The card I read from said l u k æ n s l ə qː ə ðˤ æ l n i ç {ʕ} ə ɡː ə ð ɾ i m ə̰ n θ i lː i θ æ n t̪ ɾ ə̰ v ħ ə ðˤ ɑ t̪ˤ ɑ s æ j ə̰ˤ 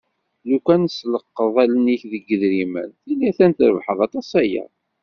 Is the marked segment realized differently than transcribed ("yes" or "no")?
yes